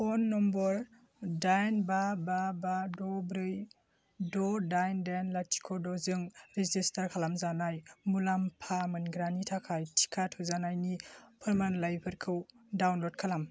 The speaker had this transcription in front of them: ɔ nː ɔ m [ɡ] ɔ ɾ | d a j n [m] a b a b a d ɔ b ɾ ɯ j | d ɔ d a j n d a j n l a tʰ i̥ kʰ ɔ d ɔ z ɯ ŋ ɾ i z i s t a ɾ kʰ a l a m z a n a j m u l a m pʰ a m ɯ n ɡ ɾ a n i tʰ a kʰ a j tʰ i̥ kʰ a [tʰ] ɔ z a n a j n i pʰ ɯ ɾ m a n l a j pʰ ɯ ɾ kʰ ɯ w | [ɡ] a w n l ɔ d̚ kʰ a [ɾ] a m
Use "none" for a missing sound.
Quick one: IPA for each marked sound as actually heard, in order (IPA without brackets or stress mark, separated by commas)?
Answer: b, b, tʰ, d, l